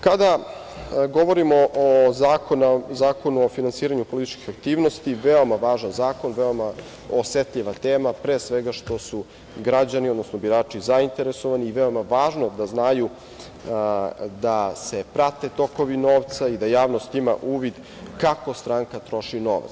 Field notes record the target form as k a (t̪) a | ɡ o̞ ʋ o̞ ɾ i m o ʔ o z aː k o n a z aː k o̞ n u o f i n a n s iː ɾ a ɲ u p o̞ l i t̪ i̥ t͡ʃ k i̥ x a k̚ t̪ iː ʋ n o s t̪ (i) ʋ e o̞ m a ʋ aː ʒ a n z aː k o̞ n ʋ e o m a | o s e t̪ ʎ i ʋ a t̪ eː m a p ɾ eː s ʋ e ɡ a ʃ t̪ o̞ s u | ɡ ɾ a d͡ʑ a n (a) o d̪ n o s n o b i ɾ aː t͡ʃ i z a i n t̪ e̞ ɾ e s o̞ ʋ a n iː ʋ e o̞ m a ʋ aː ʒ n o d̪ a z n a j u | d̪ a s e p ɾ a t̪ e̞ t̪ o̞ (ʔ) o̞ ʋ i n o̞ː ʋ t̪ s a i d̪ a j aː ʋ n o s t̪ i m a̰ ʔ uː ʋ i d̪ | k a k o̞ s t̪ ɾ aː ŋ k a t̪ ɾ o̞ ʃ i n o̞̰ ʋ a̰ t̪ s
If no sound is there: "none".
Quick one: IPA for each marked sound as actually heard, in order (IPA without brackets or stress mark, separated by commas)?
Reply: d̪, i, i, k